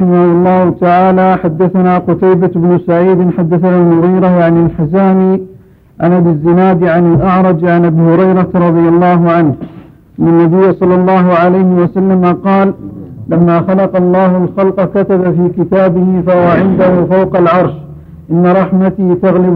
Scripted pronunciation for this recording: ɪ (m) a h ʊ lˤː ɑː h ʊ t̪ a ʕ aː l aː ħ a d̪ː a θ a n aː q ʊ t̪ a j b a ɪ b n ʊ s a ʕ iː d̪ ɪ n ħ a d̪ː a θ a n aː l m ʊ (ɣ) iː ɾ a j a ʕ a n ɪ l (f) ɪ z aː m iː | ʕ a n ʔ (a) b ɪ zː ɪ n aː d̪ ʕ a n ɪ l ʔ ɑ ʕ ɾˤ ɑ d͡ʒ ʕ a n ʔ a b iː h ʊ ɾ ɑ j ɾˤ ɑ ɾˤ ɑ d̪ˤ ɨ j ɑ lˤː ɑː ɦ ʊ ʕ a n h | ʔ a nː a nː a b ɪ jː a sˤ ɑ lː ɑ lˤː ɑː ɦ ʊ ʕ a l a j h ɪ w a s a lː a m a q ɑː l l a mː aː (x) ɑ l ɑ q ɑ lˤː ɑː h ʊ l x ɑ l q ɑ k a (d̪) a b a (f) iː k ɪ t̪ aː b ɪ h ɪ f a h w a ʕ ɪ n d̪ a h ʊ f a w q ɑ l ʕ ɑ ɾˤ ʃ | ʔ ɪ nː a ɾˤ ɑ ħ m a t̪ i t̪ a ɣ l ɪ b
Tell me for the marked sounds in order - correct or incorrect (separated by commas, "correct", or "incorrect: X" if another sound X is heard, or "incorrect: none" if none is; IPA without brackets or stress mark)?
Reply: correct, correct, incorrect: ħ, correct, correct, incorrect: t̪, correct